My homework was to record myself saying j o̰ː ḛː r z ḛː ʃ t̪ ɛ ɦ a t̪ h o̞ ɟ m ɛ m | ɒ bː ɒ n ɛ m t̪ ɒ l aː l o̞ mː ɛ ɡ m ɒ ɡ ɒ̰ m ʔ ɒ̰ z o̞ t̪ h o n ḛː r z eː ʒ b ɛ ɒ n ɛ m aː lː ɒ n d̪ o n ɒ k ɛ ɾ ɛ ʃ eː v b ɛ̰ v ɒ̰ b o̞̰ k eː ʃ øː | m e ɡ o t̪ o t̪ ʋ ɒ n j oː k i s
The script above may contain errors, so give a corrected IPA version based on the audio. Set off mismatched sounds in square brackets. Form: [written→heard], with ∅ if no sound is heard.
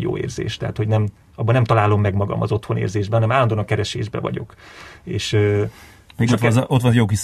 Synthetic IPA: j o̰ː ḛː r z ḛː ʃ t̪ ɛ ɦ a t̪ h o̞ ɟ [m→n] ɛ m | ɒ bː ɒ n ɛ m t̪ ɒ l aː l o̞ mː ɛ ɡ m ɒ ɡ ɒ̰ m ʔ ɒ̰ z o̞ t̪ h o n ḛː r z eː ʒ b ɛ ɒ n ɛ m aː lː ɒ n d̪ o n ɒ k ɛ ɾ ɛ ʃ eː [v→ʒ] b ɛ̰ v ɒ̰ [b→ɟ] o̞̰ k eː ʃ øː | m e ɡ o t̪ o t̪ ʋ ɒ n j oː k i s